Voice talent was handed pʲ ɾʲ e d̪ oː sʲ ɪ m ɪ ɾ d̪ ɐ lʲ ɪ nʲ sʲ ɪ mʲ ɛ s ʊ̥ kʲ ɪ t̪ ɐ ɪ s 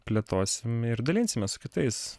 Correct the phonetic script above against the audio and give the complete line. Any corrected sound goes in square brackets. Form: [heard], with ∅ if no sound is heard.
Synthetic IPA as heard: pʲ [lʲ] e [t̪] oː sʲ ɪ m ɪ ɾ d̪ ɐ lʲ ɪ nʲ sʲ ɪ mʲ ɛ s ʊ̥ kʲ ɪ t̪ ɐ ɪ s